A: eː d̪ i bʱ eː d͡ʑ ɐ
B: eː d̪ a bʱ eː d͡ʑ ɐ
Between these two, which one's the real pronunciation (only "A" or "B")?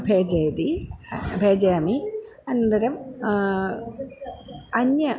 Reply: A